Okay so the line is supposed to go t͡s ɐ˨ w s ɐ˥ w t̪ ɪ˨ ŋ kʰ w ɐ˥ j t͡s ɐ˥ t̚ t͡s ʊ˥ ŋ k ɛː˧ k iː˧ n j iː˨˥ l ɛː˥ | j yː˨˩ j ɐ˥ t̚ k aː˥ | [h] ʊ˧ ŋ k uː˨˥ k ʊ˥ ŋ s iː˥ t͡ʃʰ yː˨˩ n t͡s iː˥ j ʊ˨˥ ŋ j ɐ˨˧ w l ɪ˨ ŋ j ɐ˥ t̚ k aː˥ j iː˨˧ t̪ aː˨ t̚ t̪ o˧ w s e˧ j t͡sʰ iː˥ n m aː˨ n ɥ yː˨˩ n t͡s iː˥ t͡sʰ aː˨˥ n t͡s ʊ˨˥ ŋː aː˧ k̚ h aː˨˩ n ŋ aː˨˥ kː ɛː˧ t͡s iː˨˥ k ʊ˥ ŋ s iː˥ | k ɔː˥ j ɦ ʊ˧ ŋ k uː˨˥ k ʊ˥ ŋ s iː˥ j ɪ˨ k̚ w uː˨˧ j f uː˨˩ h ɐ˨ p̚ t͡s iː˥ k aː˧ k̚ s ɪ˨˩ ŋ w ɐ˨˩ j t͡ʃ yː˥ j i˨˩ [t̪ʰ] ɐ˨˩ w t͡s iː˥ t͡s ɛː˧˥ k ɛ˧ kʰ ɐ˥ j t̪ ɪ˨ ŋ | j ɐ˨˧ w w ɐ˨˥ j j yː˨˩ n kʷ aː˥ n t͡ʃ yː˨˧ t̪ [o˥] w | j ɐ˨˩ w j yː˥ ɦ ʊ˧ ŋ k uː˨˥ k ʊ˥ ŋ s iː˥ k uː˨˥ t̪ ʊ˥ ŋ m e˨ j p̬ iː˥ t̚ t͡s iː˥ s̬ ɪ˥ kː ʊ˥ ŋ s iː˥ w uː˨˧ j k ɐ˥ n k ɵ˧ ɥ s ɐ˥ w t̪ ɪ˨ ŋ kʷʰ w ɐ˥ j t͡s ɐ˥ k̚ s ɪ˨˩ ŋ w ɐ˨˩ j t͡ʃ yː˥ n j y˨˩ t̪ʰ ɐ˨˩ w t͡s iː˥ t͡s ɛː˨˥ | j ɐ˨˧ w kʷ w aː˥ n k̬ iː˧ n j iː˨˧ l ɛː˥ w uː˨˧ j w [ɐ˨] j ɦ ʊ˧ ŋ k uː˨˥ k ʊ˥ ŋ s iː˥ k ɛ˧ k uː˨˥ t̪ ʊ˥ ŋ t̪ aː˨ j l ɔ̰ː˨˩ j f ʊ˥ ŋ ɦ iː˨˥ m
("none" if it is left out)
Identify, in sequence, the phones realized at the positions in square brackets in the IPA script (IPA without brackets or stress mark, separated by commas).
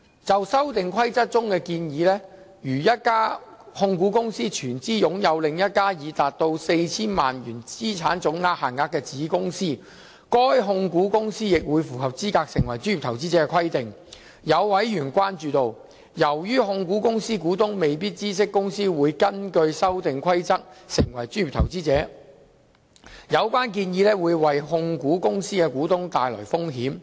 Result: h, t̪ʰ, o˨, ɐ˨